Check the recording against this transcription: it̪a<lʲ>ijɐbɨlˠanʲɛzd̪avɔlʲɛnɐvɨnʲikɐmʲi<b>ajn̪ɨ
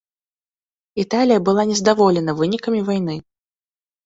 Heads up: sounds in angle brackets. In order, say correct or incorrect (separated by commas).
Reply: correct, incorrect